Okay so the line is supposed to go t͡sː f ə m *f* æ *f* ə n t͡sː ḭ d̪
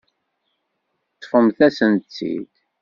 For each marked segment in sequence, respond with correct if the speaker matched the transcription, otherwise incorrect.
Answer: incorrect, incorrect

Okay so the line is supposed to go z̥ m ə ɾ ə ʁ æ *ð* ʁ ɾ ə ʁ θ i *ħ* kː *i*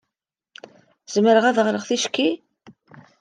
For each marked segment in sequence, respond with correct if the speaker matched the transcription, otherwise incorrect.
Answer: correct, incorrect, correct

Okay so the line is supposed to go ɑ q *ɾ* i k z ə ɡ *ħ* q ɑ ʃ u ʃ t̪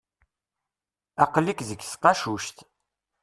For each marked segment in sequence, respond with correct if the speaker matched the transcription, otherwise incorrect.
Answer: incorrect, incorrect

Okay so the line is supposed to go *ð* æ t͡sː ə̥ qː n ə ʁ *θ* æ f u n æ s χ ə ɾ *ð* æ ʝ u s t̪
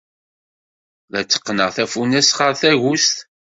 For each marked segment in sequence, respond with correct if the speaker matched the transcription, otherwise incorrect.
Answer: correct, correct, incorrect

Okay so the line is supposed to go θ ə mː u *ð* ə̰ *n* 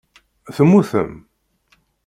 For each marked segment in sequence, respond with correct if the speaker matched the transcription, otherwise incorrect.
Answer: incorrect, incorrect

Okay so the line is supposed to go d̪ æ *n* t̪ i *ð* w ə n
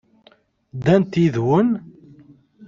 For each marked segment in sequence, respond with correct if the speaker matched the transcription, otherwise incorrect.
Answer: correct, correct

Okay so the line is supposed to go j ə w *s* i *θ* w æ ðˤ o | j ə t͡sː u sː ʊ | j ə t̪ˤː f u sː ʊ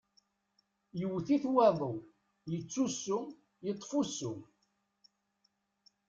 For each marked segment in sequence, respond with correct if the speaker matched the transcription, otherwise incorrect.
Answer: incorrect, correct

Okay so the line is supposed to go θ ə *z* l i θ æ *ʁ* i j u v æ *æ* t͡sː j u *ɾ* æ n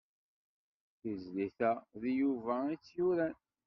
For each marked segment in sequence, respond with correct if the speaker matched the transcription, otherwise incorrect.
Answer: correct, incorrect, incorrect, correct

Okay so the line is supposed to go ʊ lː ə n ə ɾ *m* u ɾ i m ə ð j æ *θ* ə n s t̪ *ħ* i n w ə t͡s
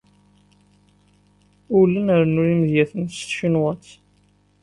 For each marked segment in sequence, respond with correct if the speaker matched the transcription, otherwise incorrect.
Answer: incorrect, correct, incorrect

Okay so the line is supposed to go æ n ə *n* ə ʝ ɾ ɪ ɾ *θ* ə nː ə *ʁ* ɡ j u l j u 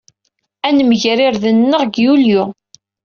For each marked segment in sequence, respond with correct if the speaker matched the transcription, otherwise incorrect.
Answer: incorrect, incorrect, correct

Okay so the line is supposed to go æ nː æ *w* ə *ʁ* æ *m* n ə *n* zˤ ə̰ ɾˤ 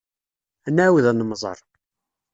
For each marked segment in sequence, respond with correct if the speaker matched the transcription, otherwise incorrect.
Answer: correct, incorrect, incorrect, incorrect

